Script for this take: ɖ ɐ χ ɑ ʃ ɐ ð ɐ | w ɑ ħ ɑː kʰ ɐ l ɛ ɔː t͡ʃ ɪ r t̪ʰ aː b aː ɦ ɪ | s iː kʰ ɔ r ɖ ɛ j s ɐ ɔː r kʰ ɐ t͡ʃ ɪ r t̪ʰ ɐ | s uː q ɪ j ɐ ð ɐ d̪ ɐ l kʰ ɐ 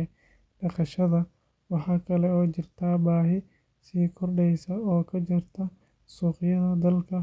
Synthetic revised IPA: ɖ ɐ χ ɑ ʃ ɐ ð ɐ | w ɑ ħ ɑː kʰ ɐ l ɛ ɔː t͡ʃ ɪ r t̪ʰ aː b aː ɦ ɪ | s iː kʰ ɔ r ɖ ɛ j s ɐ ɔː kʰ ɐ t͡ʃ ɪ r t̪ʰ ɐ | s uː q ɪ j ɐ ð ɐ d̪ ɐ l kʰ ɐ